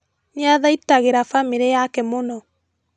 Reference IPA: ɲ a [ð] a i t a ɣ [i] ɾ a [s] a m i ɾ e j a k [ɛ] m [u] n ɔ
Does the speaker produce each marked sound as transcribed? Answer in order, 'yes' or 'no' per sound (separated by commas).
yes, no, no, yes, no